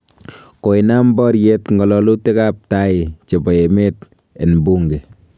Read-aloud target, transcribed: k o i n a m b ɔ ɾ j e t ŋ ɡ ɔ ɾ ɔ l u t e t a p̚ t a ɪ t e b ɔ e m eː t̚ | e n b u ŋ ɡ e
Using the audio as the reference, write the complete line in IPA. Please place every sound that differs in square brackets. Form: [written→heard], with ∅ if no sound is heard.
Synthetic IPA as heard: k o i n a m b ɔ ɾ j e t ŋ ɡ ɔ [ɾ→l] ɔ l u t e [t→k] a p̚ t a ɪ [t→t͡ʃ] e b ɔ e m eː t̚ | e n b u ŋ ɡ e